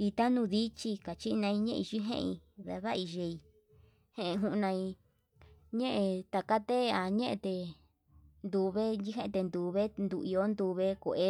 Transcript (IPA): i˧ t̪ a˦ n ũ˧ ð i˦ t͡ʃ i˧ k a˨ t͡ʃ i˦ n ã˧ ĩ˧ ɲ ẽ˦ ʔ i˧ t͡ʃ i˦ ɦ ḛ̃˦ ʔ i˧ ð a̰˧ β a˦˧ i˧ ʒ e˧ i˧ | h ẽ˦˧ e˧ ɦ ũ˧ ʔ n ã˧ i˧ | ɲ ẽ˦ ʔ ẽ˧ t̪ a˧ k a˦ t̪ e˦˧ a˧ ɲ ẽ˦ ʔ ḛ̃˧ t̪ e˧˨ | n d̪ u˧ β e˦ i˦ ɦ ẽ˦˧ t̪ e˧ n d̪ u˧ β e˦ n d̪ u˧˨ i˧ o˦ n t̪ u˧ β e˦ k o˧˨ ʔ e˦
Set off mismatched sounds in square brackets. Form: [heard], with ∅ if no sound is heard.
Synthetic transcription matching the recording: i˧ t̪ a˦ n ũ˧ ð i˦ t͡ʃ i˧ k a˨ t͡ʃ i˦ n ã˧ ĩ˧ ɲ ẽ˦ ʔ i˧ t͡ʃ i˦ ɦ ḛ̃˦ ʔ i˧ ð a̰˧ β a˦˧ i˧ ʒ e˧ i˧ | h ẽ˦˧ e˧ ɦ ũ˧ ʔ n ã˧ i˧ | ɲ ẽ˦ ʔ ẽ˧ t̪ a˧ k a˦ t̪ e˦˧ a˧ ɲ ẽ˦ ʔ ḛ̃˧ t̪ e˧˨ | n d̪ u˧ β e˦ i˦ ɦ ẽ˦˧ t̪ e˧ n d̪ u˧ β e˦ n d̪ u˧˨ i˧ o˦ n [d̪] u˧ β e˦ k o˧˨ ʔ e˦